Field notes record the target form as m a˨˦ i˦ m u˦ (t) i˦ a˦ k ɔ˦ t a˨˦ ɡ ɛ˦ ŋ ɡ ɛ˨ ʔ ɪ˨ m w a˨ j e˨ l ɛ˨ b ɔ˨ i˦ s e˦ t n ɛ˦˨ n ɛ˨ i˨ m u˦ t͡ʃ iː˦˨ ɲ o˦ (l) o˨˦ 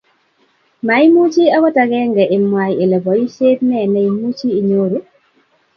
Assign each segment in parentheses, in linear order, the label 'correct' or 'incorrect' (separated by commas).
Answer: incorrect, incorrect